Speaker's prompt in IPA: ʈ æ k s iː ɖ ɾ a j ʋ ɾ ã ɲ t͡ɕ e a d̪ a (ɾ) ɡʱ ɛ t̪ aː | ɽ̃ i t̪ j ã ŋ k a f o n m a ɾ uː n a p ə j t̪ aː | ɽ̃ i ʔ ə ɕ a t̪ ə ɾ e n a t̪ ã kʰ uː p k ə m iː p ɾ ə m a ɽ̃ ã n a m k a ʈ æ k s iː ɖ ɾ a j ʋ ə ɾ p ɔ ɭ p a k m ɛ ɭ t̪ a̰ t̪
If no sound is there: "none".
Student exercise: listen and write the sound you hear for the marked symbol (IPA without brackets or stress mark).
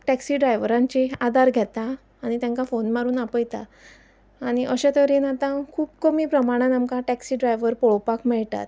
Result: ɾ